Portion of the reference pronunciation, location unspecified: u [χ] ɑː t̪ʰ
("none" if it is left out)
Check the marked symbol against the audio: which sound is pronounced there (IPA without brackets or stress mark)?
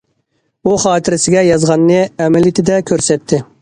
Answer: χ